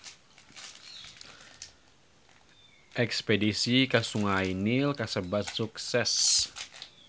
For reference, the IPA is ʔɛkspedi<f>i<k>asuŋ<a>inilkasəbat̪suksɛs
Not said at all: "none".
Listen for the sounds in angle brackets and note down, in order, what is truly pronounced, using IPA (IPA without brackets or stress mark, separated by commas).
s, k, a